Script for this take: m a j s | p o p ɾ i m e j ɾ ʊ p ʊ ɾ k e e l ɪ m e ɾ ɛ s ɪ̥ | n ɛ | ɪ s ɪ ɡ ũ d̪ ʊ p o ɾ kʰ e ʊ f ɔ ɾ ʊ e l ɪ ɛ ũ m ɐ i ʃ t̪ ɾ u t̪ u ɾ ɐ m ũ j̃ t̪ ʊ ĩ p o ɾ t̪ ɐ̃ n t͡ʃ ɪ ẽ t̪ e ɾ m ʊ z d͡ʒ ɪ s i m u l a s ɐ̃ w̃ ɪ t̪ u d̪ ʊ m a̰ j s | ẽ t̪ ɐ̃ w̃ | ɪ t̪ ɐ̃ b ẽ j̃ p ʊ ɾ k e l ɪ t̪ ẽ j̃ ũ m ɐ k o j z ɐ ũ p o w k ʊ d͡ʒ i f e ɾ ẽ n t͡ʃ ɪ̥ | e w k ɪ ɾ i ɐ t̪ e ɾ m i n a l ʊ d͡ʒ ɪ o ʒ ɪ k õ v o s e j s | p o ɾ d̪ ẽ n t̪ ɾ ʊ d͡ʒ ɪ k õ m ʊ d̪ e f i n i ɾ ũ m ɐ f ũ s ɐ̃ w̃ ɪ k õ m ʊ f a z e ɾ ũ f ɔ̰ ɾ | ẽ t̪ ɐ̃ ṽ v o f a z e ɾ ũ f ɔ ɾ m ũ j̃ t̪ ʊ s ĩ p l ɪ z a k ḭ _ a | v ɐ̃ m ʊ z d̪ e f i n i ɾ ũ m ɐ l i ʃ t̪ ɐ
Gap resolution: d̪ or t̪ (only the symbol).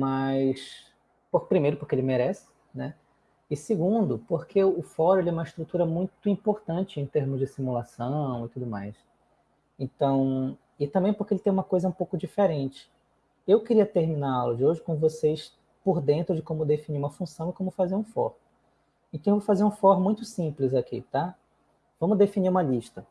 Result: t̪